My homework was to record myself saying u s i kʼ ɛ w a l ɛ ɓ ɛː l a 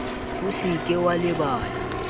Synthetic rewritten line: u s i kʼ ɛ w a l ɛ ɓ aː l a